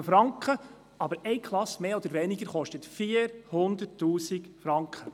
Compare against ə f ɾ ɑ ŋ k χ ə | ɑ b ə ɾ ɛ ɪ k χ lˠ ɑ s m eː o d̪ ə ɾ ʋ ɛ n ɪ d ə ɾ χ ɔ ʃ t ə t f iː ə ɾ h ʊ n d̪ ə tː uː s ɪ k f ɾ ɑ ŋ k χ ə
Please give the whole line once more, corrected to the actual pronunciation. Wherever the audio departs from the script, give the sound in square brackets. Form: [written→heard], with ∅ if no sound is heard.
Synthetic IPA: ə f ɾ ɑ ŋ k χ ə | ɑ b ə ɾ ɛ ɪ k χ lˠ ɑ s m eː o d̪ ə ɾ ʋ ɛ n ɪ [d→ɡ] ə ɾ χ ɔ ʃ t ə t f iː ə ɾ h ʊ n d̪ ə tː uː s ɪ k f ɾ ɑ ŋ k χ ə